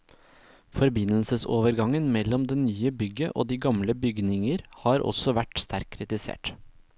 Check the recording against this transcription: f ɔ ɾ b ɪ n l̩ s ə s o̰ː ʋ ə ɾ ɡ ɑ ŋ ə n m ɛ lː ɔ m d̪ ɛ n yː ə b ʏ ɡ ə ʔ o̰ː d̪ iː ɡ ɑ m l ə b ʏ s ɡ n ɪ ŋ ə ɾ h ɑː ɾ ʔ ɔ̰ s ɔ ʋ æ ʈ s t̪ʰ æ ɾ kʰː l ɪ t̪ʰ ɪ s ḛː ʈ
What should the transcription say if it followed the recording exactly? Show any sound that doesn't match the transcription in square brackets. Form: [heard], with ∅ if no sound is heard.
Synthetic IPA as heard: f ɔ ɾ b ɪ n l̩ s ə s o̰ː ʋ ə ɾ ɡ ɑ ŋ ə n m ɛ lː ɔ m d̪ ɛ n yː ə b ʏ ɡ ə ʔ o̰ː d̪ iː ɡ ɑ m l ə b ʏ [∅] ɡ n ɪ ŋ ə ɾ h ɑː ɾ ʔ ɔ̰ s ɔ ʋ æ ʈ s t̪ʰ æ ɾ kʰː [ɾ] ɪ [t̪] ɪ s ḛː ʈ